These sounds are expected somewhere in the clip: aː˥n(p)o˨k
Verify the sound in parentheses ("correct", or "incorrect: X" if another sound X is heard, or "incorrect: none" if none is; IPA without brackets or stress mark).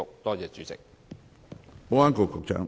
incorrect: k